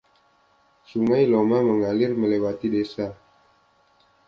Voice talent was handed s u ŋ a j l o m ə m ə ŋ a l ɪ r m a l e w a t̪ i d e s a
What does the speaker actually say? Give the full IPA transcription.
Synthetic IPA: s u ŋ a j l o m a m ə ŋ a l ɪ r m ə l e w a t̪ i d e s a